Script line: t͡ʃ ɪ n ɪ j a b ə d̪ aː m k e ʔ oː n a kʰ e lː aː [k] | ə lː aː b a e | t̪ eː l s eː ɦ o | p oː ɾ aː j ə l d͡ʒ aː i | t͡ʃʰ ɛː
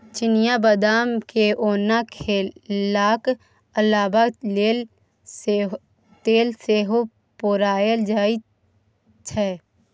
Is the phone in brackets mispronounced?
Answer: no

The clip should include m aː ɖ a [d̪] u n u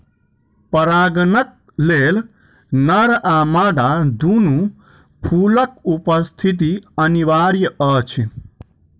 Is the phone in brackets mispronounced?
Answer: no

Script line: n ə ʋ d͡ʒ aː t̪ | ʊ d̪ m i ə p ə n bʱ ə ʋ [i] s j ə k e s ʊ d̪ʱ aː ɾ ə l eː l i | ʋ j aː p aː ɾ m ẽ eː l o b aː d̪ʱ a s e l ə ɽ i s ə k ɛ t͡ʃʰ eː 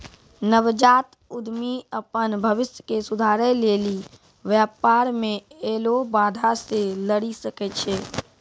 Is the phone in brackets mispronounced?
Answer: yes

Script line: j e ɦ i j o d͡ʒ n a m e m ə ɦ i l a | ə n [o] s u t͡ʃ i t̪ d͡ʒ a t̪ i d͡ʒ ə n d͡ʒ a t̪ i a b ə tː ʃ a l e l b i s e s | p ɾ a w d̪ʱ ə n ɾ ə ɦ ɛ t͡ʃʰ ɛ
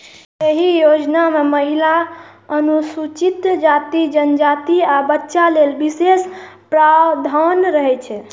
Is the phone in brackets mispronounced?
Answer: yes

